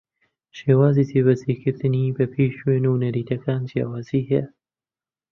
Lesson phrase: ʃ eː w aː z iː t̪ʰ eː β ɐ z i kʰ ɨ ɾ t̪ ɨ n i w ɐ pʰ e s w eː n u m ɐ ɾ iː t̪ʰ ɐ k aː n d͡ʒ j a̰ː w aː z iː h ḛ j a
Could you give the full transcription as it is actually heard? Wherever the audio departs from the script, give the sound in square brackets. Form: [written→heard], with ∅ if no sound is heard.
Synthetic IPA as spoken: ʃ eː w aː z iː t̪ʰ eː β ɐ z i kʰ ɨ ɾ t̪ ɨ n i [w→b] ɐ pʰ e [s→ʃ] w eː n u [m→n] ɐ ɾ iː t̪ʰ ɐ k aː n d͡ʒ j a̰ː w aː z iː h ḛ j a